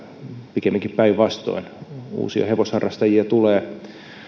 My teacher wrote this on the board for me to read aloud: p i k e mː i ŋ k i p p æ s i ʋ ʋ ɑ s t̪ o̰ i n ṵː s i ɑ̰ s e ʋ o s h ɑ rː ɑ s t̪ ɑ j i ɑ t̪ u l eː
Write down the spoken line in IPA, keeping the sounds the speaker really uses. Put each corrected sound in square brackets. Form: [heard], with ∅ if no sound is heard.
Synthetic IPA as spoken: p i k e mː i ŋ k i p p æ [∅] i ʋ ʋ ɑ s t̪ o̰ i n ṵː s i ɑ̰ [h] e ʋ o s h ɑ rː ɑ s t̪ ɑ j i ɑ t̪ u l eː